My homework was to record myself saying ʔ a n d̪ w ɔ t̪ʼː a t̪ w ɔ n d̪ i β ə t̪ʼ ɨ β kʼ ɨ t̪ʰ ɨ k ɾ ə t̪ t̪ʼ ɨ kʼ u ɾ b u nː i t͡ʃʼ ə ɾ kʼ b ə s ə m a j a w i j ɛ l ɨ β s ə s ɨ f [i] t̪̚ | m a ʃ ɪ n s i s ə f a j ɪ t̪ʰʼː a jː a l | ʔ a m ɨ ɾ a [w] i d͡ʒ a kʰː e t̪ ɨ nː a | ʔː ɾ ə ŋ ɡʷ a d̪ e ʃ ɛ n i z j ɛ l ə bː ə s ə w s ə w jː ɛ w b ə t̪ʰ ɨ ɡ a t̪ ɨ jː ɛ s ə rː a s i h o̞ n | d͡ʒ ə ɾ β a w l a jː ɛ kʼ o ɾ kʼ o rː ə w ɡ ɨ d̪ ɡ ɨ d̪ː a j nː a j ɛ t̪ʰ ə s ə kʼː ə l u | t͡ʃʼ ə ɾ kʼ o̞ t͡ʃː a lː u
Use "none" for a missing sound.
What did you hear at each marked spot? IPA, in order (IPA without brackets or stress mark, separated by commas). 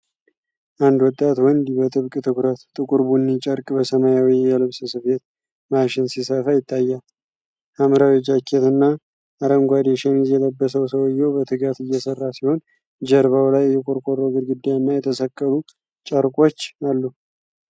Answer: e, w